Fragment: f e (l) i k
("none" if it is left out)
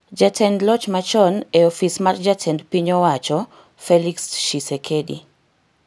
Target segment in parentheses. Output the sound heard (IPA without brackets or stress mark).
l